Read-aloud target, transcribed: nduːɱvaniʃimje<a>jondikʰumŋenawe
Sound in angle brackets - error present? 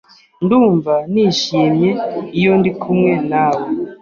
yes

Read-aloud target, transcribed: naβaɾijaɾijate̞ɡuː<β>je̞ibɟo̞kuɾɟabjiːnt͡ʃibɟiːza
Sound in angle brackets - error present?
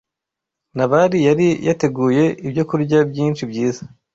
yes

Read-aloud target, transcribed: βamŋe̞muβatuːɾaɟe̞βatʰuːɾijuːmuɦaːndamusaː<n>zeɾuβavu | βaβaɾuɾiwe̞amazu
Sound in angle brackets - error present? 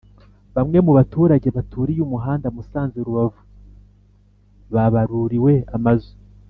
no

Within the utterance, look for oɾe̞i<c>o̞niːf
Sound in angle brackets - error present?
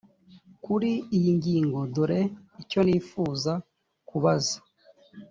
no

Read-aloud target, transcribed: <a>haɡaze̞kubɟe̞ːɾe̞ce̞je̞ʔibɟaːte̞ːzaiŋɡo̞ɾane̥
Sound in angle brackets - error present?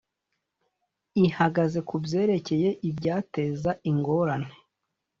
yes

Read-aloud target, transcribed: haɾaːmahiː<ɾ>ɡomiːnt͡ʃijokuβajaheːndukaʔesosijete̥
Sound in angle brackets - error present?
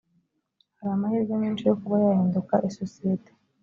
no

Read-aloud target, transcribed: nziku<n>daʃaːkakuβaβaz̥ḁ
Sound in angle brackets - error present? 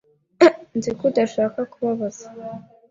yes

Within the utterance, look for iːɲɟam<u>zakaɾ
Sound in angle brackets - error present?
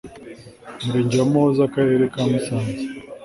yes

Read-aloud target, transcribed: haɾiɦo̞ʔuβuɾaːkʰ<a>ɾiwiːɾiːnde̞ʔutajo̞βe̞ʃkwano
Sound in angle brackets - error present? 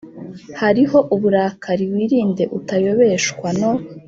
no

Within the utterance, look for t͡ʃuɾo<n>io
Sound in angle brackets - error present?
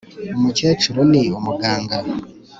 no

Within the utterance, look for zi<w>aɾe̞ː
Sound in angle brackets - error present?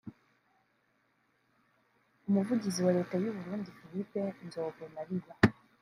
no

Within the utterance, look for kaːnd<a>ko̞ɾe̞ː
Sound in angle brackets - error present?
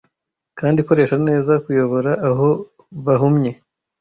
yes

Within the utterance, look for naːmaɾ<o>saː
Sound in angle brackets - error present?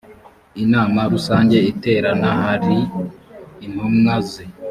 yes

